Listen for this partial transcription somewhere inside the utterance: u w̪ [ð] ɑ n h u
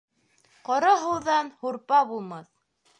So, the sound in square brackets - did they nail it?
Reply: yes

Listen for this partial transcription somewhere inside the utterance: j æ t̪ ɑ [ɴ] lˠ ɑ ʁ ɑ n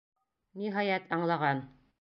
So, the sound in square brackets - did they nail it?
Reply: yes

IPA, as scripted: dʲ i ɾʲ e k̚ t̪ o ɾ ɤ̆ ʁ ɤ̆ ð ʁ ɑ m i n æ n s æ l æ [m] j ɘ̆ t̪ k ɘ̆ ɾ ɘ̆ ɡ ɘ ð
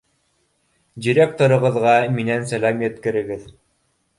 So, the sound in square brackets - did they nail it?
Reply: yes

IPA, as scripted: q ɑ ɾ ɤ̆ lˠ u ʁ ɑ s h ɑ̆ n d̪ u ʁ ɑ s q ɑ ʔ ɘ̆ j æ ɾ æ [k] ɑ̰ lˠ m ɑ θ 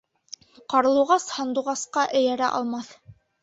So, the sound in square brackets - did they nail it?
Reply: no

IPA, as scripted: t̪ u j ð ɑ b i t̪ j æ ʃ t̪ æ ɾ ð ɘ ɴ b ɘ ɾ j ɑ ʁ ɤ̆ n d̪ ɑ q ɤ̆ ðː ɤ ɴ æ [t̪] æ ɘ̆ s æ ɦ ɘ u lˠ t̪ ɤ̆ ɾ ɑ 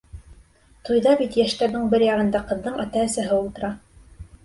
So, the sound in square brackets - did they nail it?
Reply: yes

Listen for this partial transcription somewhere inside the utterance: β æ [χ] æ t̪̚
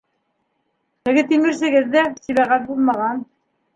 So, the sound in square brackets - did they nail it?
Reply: no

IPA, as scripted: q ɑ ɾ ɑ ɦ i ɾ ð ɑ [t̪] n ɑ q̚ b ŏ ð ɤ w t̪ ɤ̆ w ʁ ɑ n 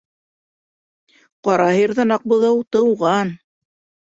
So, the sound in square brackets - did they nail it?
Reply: no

